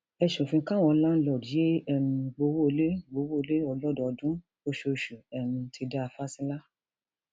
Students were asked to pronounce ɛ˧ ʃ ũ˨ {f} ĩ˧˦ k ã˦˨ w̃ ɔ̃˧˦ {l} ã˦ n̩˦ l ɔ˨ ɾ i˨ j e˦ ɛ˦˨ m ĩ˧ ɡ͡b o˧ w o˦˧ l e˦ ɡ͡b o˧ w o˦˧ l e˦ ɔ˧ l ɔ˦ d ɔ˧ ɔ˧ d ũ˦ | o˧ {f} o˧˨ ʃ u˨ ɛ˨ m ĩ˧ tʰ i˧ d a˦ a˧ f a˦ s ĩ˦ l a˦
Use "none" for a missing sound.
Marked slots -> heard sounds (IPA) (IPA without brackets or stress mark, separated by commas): f, l, ʃ